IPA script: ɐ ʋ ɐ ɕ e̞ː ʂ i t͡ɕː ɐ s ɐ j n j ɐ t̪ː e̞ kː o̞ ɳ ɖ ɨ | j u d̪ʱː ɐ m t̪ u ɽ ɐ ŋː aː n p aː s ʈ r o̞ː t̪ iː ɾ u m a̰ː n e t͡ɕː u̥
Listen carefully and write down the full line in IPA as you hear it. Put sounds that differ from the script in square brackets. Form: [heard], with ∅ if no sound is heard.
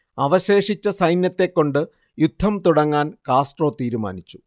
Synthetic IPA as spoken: ɐ ʋ ɐ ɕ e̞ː ʂ i t͡ɕː ɐ s ɐ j n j ɐ t̪ː e̞ kː o̞ ɳ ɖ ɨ | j u d̪ʱː ɐ m t̪ u ɽ ɐ ŋː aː n [k] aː s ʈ r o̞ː t̪ iː ɾ u m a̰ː n [i] t͡ɕː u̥